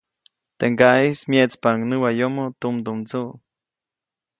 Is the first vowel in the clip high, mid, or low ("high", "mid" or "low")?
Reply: mid